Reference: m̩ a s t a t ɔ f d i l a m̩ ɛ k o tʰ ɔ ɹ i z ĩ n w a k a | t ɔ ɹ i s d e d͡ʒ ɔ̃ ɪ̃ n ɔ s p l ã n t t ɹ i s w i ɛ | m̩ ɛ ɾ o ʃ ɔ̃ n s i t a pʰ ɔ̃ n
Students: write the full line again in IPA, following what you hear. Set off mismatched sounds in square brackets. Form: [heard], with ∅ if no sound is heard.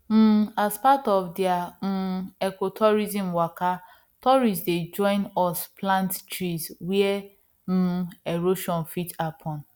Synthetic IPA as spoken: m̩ a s [p] a t ɔ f d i [∅] a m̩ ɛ k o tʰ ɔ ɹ i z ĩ [m] w a k a | t ɔ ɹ i s d e d͡ʒ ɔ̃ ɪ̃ n ɔ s p l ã n t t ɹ i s w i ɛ | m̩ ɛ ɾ o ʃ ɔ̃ n [f] i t a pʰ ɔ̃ n